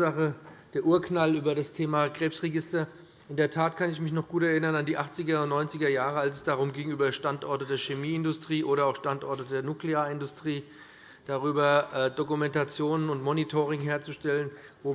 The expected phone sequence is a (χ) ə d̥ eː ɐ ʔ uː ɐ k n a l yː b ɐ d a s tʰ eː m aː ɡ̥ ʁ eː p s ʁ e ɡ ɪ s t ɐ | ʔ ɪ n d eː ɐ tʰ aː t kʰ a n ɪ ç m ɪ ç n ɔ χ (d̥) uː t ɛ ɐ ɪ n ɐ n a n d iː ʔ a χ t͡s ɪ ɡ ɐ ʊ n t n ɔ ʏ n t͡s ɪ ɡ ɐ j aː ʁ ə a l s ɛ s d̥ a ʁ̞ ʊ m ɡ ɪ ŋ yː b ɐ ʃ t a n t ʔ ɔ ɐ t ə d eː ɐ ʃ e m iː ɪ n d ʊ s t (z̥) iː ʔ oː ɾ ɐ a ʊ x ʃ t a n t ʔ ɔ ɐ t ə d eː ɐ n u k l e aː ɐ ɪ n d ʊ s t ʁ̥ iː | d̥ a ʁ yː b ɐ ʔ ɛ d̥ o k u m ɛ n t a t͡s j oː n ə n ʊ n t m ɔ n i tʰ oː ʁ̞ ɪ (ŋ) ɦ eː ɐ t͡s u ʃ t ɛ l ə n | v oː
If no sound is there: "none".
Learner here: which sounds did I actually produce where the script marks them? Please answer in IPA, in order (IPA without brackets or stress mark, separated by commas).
χ, ɡ̥, ʁ̥, ŋ